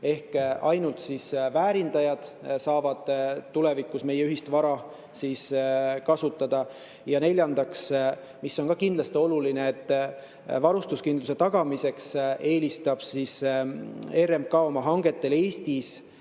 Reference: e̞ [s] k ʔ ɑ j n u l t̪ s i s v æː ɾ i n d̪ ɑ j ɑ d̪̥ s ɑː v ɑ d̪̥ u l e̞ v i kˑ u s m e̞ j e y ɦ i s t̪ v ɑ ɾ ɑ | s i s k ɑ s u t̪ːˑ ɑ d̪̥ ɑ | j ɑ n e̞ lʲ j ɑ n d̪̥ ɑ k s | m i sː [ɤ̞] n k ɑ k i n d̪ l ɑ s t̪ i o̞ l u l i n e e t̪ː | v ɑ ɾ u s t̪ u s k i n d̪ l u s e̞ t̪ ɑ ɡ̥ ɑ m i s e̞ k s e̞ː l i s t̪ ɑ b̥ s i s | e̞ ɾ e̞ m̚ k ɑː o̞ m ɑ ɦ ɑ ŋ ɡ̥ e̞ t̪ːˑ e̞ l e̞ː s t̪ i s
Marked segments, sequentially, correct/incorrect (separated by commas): incorrect, incorrect